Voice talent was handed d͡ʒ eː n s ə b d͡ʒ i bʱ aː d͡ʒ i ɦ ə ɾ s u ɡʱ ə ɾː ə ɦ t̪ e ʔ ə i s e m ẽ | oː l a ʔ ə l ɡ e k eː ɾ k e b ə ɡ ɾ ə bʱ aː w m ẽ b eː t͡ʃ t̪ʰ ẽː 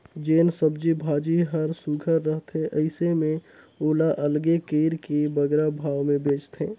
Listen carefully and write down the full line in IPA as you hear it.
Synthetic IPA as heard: d͡ʒ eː n s ə b d͡ʒ i bʱ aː d͡ʒ i ɦ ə ɾ s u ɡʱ ə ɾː ə ɦ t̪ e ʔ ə ɪ s e m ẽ | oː l a ʔ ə l ɡ e k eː ɾ k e b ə ɡ ɾ a bʱ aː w m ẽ b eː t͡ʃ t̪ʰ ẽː

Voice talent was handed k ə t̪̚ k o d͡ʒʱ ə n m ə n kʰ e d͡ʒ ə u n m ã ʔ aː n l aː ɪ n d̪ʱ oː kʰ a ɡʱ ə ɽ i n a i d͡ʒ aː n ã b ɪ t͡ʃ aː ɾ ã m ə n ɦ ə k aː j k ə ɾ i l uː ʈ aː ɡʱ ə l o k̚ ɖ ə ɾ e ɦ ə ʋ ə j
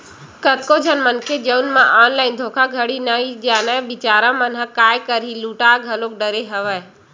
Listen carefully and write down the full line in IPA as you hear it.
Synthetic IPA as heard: k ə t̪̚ k o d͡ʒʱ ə n m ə n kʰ e d͡ʒ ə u n m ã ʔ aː n l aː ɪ n d̪ʱ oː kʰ a ɡʱ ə ɽ i n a i d͡ʒ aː n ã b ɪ t͡ʃ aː ɾ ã m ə n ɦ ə k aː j k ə ɾ i l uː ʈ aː ɡʱ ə l o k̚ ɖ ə ɾ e ɦ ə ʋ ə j

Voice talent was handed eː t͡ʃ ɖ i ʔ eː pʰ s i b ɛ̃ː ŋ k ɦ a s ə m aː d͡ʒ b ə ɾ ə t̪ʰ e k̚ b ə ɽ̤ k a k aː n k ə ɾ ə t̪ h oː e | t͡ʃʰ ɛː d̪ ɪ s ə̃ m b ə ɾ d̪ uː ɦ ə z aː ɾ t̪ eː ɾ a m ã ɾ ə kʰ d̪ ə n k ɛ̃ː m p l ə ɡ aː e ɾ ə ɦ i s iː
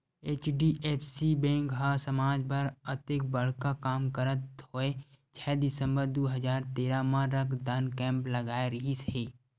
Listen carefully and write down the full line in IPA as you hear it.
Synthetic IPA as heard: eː t͡ʃ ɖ i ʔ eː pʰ s i b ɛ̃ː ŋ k ɦ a s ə m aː d͡ʒ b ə ɾ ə t̪ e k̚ b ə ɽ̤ k a k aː m k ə ɾ ə t̪ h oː e | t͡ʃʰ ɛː d̪ ɪ s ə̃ m b ə ɾ d̪ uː ɦ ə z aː ɾ t̪ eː ɾ a m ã ɾ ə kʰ d̪ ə n k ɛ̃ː m p l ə ɡ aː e ɾ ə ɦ i s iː

